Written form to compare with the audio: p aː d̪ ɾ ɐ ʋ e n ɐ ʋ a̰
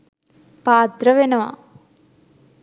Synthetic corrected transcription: p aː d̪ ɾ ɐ ʋ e n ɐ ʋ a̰